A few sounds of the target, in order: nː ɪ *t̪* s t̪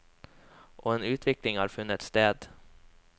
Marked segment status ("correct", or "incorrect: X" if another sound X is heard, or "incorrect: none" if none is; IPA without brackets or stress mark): correct